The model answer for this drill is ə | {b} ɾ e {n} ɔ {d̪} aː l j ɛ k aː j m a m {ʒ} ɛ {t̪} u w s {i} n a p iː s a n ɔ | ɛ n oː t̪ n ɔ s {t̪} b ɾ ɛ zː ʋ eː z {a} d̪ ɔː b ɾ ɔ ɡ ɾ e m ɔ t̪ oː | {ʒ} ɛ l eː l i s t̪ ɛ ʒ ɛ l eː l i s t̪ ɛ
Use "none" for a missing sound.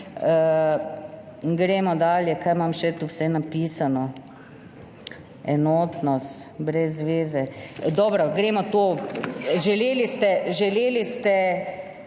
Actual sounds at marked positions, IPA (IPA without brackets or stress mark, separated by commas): ɡ, m, d̪, ʃ, t̪, ɛ, t̪, ɛ, ʒ